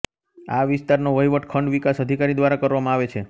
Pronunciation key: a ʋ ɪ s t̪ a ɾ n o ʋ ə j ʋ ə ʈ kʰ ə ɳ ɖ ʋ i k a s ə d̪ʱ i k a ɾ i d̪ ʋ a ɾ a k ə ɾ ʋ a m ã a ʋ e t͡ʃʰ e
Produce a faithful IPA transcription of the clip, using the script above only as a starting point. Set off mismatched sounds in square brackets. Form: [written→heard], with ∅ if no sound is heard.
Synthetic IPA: a ʋ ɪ s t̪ a ɾ n o ʋ ə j ʋ ə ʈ kʰ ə ɳ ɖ ʋ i k a s ə d̪ʱ i k a ɾ i d̪ ʋ a ɾ a k ə ɾ ʋ a m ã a ʋ e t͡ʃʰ e